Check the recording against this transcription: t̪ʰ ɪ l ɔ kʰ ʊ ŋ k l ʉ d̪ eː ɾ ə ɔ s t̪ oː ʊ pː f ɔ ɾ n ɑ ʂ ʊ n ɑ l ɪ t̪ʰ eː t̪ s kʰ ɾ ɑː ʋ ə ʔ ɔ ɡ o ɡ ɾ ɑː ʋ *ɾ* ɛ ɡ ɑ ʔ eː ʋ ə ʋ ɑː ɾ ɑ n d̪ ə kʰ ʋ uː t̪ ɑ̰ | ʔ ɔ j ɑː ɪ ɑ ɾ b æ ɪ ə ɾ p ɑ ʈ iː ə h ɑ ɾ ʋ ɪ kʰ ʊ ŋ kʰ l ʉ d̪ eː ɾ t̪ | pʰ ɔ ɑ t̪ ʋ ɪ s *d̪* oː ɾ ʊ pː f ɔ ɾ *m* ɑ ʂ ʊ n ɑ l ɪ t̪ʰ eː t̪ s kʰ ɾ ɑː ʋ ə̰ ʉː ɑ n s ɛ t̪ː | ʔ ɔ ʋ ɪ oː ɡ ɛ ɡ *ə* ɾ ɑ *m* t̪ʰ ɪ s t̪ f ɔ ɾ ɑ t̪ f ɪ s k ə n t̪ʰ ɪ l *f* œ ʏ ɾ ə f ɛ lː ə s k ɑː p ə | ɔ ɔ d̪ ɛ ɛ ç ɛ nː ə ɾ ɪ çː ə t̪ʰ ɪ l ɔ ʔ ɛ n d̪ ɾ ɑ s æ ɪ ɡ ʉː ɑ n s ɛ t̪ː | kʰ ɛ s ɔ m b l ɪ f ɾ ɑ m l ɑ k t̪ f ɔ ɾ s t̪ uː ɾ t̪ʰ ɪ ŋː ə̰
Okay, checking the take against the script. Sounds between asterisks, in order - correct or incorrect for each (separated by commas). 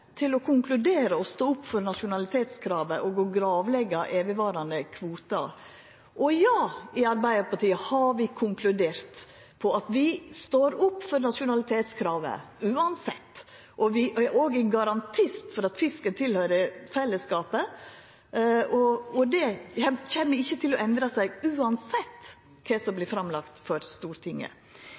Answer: incorrect, incorrect, incorrect, incorrect, incorrect, incorrect